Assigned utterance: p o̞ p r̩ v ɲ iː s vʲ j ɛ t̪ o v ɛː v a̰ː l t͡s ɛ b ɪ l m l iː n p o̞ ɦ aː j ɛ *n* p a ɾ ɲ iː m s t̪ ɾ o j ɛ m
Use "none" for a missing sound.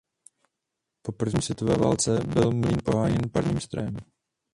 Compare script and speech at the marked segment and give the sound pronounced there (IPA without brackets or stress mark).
n